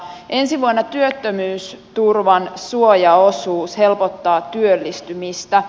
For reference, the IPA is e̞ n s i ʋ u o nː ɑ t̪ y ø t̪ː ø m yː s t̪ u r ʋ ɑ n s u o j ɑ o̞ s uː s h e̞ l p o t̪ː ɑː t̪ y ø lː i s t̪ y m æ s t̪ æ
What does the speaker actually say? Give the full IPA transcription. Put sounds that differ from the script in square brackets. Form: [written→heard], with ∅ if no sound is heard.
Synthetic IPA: e̞ n s i ʋ u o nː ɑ t̪ y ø t̪ː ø m yː s t̪ u r ʋ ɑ n s u o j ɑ o̞ s uː s h e̞ l p o t̪ː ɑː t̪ y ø lː i s t̪ y m [æ→i] s t̪ æ